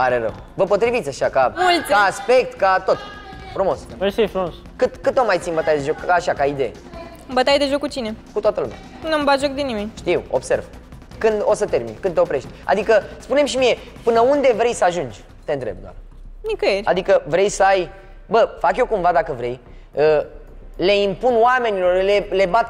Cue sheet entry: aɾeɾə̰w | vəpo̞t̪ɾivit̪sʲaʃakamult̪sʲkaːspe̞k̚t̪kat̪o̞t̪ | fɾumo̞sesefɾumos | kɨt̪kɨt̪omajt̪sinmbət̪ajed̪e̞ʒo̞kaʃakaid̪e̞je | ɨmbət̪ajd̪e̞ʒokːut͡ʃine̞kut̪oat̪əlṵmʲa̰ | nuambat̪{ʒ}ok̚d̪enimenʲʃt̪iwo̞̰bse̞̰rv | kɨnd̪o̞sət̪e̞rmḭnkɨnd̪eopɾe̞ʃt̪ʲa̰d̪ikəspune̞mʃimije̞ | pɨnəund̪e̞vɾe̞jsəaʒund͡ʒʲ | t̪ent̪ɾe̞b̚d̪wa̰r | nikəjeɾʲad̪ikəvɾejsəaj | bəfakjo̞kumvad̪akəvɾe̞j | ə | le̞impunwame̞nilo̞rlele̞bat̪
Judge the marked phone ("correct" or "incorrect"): correct